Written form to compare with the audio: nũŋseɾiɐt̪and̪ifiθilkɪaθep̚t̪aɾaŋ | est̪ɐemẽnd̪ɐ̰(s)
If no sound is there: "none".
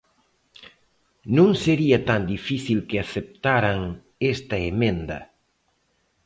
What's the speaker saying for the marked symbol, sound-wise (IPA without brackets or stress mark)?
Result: none